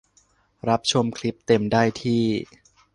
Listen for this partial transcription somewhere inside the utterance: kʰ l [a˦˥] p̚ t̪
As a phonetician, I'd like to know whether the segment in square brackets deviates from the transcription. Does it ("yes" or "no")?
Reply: yes